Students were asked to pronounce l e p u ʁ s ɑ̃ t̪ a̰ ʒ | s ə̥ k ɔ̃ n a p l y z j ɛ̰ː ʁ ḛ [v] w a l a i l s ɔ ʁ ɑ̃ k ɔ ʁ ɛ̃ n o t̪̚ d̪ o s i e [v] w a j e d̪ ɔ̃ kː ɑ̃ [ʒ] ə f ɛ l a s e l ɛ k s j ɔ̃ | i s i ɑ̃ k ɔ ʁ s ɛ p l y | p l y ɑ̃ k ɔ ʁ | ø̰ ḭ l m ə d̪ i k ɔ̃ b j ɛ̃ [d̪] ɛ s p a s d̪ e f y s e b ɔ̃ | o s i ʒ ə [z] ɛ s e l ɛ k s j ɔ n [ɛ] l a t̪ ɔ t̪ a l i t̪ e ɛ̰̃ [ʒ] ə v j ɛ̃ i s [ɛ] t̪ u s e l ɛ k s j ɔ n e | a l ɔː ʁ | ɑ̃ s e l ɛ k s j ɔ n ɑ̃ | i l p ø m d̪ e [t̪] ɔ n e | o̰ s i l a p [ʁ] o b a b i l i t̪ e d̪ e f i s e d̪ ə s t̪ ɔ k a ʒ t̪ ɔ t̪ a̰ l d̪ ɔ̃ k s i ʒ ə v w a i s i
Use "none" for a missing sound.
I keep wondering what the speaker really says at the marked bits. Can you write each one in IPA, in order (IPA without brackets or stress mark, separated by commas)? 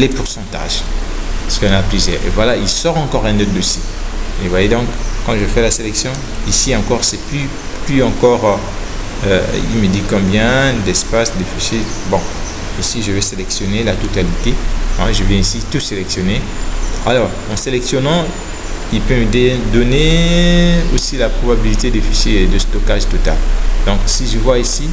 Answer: v, v, ʒ, d̪, v, e, ʒ, i, d̪, χ